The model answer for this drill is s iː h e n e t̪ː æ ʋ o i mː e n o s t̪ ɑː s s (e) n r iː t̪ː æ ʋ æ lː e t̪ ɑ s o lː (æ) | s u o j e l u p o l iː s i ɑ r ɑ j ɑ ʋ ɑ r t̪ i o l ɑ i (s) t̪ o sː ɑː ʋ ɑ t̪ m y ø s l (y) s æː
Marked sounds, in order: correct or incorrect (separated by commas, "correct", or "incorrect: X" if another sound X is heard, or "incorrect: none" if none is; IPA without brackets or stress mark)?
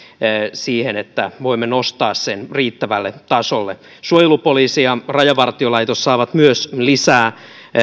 correct, incorrect: e, incorrect: none, incorrect: i